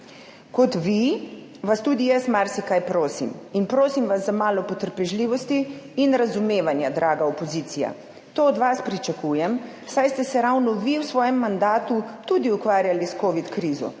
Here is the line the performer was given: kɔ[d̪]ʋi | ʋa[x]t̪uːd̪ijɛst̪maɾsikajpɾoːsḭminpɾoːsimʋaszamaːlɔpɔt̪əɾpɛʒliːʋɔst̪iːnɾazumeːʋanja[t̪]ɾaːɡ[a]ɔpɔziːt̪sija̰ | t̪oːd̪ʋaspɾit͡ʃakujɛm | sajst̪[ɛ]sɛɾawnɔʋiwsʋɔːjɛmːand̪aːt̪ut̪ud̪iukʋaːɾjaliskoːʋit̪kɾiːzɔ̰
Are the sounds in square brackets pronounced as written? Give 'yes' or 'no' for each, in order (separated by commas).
no, no, no, yes, yes